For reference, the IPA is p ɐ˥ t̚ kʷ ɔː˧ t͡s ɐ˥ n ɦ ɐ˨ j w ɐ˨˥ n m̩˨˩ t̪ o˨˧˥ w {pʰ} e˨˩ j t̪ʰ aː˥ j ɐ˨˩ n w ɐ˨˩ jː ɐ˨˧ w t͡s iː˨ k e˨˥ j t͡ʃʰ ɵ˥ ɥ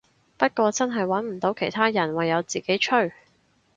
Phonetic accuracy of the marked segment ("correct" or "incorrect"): incorrect